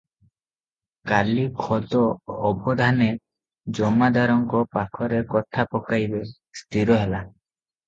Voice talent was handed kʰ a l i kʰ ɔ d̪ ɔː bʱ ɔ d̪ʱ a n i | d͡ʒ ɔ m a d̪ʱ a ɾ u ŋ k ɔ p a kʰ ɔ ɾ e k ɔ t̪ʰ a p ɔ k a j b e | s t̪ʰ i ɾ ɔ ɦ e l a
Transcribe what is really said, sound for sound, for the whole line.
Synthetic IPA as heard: k a l i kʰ ɔ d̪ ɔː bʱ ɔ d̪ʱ a n e | d͡ʒ ɔ m a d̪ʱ a ɾ ɔ ŋ k ɔ p a kʰ ɔ ɾ e k ɔ t̪ʰ a p ɔ k a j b e | s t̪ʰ i ɾ ɔ ɦ e l a